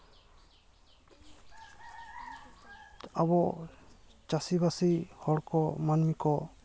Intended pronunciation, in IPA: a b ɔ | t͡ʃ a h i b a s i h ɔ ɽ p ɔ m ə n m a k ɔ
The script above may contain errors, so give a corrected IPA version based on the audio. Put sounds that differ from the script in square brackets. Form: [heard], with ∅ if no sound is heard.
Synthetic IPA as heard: a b ɔ | t͡ʃ a [s] i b a s i h ɔ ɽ [k] ɔ m [a] n m [i] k ɔ